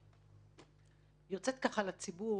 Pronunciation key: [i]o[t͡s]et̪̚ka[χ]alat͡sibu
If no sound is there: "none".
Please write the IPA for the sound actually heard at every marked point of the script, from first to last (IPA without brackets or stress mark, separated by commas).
j, t͡s, χ